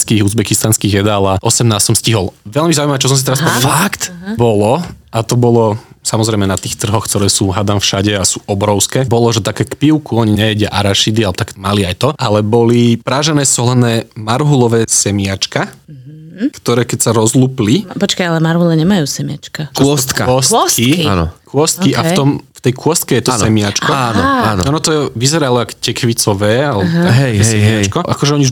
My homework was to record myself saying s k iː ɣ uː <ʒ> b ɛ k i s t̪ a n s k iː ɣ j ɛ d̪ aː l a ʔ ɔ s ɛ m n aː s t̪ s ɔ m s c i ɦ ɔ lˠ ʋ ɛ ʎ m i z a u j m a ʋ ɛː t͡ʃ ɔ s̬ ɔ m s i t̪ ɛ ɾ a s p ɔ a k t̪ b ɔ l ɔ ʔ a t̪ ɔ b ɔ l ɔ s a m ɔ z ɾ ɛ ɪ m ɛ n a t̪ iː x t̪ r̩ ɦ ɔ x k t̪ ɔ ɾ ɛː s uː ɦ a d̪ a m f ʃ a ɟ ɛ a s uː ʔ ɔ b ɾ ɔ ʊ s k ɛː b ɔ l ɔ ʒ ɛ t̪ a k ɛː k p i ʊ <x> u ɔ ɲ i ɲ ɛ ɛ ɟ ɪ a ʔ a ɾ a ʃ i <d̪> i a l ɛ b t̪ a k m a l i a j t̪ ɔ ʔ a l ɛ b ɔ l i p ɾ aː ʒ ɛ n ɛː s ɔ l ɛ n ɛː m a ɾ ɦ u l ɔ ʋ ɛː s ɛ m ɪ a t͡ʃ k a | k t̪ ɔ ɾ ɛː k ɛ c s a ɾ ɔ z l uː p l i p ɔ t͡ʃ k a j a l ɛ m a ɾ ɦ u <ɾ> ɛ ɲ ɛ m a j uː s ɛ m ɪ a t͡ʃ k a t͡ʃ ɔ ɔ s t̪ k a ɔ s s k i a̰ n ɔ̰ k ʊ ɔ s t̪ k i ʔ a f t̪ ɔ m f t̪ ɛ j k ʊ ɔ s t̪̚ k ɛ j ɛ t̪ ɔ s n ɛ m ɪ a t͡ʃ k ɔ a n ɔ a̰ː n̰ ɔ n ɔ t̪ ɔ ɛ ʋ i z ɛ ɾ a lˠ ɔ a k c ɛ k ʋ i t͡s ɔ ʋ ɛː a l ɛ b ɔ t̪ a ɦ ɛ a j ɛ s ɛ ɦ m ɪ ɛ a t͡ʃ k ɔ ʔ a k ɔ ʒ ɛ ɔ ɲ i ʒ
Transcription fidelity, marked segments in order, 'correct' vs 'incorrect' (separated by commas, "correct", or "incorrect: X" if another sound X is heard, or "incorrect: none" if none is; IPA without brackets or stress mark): incorrect: z, incorrect: k, correct, incorrect: l